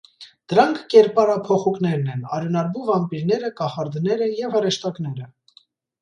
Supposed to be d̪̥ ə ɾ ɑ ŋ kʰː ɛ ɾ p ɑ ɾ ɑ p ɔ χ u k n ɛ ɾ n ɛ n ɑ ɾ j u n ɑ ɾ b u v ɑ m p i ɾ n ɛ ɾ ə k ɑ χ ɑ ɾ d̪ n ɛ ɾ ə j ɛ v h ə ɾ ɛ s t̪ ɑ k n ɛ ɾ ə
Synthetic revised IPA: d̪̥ ə ɾ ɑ ŋ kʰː ɛ ɾ p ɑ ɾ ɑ pʰ ɔ χ u k n ɛ ɾ n ɛ n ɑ ɾ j u n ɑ ɾ b u v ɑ m p i ɾ n ɛ ɾ ə k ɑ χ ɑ ɾ d̪ n ɛ ɾ ə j ɛ v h ə ɾ ɛ ʃ t̪ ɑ k n ɛ ɾ ə